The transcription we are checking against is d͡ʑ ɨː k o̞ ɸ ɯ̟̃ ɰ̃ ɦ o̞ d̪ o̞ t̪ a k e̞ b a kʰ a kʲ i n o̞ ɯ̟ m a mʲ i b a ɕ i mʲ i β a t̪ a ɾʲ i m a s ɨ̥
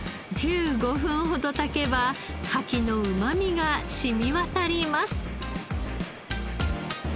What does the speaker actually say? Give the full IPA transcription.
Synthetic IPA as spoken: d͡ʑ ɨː ɡ o̞ ɸ ɯ̟̃ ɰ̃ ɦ o̞ d̪ o̞ t̪ a k e̞ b a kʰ a kʲ i n o̞ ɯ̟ m a mʲ i ɡ a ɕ i mʲ i β a t̪ a ɾʲ i m a s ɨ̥